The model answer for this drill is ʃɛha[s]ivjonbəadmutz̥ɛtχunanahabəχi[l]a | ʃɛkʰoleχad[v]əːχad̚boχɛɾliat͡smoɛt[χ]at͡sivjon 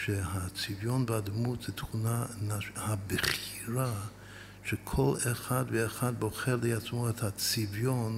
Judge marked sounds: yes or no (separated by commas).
no, no, yes, no